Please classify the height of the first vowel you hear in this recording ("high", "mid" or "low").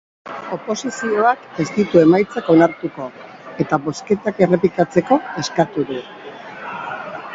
mid